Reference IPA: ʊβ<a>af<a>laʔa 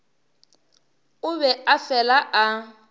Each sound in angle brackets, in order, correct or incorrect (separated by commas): incorrect, incorrect